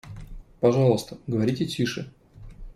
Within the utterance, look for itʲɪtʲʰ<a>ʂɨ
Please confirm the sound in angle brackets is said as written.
no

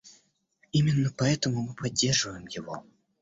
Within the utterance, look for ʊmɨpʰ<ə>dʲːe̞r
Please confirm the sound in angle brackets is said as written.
no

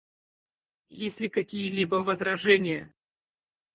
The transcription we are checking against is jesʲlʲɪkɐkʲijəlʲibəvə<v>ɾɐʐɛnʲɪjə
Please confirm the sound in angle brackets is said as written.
no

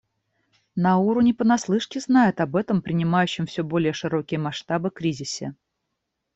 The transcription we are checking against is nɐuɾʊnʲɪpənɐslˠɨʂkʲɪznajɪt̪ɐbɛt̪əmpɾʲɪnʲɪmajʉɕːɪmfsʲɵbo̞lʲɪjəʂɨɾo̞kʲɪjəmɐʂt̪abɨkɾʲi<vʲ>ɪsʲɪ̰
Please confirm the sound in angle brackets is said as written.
no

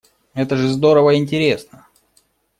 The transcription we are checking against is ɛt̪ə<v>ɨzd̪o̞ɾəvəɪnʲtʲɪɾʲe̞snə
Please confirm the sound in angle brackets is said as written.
no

